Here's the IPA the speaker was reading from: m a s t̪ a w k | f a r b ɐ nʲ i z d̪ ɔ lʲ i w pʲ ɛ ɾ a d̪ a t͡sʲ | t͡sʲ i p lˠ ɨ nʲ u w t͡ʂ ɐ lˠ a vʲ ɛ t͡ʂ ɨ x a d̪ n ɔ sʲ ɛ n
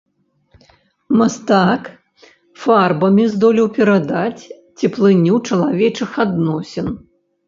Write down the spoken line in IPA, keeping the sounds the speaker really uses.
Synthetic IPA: m a s t̪ a k | f a r b ɐ mʲ i z d̪ ɔ lʲ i w pʲ ɛ ɾ a d̪ a t͡sʲ | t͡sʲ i p lˠ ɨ nʲ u w t͡ʂ ɐ lˠ a vʲ ɛ t͡ʂ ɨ x a d̪ n ɔ sʲ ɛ n